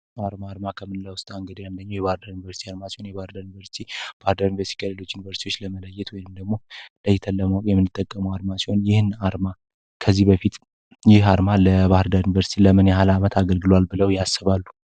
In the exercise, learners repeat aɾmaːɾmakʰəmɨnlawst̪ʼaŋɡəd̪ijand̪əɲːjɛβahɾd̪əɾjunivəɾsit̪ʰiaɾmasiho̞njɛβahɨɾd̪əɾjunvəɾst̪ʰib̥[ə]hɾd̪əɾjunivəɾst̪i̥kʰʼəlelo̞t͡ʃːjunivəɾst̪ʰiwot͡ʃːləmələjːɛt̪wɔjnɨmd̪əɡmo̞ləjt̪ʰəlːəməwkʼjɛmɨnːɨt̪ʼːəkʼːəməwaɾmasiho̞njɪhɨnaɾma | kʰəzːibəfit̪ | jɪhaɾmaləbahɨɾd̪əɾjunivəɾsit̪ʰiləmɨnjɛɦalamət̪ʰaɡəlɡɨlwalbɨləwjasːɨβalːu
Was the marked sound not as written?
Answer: yes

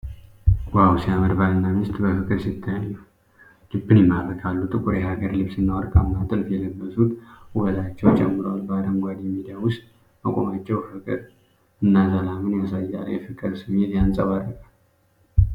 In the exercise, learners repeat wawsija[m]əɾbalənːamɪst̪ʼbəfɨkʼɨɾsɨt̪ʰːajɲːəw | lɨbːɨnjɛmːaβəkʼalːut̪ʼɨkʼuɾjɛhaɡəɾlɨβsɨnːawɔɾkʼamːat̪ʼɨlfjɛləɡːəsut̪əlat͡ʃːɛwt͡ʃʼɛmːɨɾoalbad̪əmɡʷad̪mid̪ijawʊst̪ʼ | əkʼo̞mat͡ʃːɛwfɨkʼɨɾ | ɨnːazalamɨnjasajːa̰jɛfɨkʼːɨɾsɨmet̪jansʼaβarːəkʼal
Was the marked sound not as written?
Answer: no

